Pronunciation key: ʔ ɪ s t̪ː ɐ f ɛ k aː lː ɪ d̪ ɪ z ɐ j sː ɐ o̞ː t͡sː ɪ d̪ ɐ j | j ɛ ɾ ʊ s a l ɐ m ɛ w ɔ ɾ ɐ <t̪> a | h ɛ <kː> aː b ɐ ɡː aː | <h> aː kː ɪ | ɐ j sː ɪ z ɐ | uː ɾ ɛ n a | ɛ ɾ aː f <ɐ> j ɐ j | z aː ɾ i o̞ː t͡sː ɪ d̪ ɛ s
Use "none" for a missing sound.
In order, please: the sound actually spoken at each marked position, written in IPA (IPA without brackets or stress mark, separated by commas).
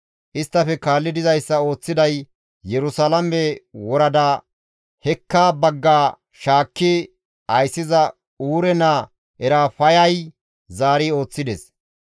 d̪, kː, ʃ, ɐ